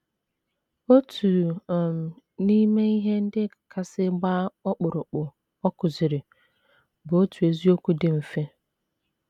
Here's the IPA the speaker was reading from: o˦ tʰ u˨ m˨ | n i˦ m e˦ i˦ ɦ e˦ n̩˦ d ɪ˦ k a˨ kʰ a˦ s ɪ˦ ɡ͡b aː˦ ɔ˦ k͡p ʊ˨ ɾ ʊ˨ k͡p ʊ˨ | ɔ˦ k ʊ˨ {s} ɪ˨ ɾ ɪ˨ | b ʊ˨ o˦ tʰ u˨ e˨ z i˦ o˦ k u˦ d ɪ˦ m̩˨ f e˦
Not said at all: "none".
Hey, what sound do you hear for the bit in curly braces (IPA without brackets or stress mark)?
z